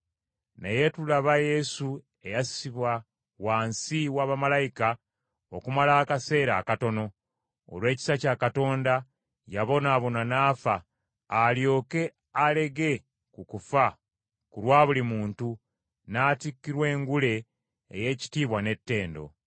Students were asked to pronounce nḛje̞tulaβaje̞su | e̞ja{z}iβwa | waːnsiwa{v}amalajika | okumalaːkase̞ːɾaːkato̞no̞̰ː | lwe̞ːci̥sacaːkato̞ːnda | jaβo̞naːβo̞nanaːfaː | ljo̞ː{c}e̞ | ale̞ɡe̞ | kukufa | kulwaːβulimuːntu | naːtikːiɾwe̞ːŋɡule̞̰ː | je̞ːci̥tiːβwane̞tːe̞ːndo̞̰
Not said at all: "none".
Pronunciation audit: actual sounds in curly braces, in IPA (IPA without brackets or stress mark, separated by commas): s, β, k